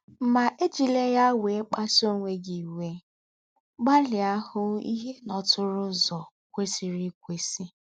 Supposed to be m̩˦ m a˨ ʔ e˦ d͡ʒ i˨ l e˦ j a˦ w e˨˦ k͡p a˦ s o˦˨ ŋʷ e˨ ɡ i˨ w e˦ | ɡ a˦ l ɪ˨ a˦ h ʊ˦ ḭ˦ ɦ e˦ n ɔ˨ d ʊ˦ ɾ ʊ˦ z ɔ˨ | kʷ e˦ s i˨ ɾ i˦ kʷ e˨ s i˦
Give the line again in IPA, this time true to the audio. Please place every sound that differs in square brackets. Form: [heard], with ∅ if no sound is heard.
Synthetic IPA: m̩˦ m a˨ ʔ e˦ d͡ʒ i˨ l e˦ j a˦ w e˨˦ k͡p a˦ s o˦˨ ŋʷ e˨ ɡ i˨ w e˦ | [ɡ͡b] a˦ l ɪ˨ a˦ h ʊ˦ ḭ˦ ɦ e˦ n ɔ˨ [t] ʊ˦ ɾ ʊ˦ z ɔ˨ | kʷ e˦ s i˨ ɾ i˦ kʷ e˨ s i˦